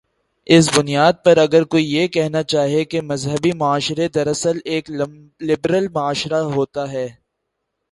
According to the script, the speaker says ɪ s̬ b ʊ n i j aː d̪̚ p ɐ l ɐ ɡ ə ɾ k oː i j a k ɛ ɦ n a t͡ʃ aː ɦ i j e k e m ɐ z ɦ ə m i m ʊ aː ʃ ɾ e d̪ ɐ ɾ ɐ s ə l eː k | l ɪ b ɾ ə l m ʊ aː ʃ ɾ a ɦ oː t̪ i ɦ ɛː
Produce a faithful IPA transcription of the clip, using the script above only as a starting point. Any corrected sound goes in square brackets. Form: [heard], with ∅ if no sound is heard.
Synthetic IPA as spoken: ɪ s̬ b ʊ n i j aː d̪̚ p ɐ [ɾ] ɐ ɡ ə ɾ k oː i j [e] k ɛ ɦ n a t͡ʃ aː ɦ i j e k e m ɐ z ɦ ə [b] i m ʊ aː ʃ ɾ e d̪ ɐ ɾ ɐ s ə l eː k | l ɪ b ɾ ə l m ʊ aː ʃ ɾ a ɦ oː t̪ [a] ɦ ɛː